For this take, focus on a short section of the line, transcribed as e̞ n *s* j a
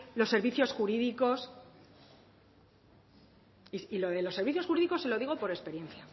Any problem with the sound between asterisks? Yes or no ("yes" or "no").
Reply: yes